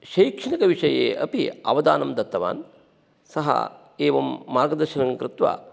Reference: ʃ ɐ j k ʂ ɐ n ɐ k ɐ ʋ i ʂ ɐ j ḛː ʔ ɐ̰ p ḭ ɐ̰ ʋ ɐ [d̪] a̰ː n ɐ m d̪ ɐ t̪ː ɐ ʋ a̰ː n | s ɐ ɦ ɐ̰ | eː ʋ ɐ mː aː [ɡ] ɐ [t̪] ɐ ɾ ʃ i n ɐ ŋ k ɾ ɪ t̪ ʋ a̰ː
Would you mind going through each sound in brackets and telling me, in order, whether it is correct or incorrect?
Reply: correct, correct, incorrect

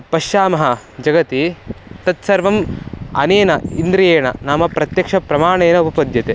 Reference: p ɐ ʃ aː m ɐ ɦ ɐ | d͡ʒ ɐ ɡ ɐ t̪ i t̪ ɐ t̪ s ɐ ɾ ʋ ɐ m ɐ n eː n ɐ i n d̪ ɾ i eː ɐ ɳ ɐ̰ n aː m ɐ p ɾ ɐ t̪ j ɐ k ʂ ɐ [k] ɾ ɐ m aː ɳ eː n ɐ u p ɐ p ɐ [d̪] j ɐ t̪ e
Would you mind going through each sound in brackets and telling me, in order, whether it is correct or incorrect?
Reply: incorrect, correct

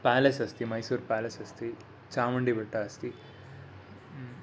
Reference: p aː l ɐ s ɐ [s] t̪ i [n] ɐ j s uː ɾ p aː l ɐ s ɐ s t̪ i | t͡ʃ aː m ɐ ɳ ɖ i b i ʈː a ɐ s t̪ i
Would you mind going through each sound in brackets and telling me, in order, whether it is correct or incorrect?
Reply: correct, incorrect

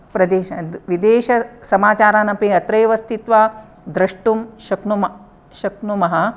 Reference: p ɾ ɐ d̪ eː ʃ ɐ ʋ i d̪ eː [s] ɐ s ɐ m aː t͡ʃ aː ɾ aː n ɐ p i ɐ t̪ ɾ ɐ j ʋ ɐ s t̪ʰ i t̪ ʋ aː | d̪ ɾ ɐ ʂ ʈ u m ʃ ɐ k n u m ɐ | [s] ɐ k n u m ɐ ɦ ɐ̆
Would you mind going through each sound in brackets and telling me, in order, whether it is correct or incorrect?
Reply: incorrect, incorrect

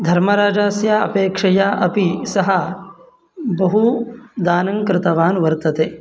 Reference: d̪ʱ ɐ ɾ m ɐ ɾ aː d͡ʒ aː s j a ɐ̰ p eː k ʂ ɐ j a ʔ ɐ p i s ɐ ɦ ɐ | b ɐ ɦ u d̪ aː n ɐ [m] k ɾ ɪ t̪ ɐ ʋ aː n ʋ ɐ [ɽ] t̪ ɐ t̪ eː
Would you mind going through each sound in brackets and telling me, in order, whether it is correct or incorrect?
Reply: incorrect, incorrect

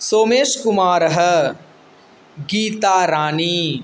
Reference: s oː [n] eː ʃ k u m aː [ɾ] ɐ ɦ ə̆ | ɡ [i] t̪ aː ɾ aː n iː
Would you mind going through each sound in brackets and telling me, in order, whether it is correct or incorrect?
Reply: incorrect, correct, incorrect

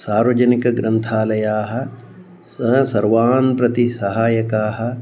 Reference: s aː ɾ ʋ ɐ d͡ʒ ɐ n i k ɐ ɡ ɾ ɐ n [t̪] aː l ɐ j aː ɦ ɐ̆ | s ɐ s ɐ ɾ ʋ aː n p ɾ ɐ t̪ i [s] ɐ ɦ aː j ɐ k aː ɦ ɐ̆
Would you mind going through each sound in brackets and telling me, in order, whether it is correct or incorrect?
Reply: incorrect, correct

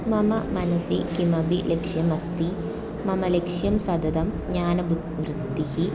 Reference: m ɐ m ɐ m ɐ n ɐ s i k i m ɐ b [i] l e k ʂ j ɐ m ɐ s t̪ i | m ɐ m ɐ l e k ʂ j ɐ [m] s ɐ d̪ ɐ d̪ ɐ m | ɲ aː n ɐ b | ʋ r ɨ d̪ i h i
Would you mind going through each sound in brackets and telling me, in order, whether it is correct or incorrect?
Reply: correct, correct

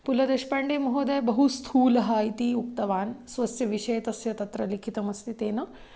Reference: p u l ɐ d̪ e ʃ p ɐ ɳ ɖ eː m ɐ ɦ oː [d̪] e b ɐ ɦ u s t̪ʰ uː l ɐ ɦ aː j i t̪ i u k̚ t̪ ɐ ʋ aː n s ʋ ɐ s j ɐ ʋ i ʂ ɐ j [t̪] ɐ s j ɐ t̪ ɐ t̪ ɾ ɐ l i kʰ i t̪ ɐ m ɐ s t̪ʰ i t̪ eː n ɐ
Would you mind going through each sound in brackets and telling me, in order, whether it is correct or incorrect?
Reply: correct, correct

